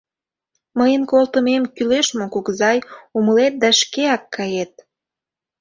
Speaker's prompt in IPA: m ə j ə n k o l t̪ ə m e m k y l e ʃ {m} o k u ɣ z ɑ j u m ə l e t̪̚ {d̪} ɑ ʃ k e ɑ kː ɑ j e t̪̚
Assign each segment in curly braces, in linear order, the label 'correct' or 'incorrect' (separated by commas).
correct, correct